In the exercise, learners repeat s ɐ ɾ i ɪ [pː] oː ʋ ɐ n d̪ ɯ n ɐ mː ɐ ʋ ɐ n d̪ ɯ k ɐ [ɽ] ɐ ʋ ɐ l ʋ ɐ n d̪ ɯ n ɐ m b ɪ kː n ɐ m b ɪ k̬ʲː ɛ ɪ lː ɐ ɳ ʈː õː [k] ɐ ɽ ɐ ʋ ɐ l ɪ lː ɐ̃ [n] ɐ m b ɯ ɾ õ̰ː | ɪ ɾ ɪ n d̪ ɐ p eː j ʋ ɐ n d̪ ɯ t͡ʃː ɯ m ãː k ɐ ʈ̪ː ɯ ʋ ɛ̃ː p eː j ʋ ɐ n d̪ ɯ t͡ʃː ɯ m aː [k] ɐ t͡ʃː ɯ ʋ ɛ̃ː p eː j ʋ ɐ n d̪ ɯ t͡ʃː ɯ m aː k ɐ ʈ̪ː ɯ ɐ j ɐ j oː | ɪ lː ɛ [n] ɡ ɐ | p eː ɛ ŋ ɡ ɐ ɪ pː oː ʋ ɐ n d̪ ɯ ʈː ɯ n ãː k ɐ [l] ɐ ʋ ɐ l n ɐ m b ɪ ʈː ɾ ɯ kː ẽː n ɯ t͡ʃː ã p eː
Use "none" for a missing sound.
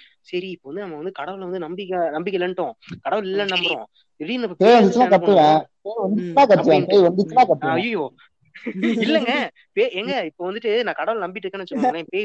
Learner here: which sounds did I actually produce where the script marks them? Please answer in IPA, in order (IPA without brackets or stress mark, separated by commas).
pː, ɽ, k, n, k, ŋ, ɽ